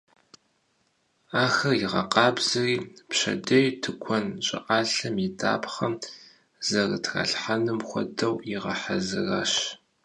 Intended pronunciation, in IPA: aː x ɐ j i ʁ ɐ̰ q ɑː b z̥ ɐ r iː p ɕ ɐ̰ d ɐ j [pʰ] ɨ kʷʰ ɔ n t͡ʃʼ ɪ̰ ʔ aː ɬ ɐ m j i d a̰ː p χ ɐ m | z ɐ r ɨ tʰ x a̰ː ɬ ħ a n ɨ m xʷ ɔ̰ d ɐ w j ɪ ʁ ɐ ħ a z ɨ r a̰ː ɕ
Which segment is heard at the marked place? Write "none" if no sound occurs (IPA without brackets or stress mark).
tʰ